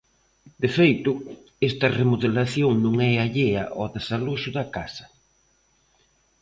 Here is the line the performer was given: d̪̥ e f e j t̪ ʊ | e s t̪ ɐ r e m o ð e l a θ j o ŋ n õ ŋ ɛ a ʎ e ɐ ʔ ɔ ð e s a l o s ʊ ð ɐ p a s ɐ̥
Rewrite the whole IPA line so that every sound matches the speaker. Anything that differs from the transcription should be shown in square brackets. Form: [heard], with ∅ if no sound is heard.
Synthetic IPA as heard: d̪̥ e f e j t̪ ʊ | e s t̪ ɐ r e m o ð e l a θ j o ŋ n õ ŋ ɛ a ʎ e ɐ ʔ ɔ ð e s a l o [ʃ] ʊ ð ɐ [k] a s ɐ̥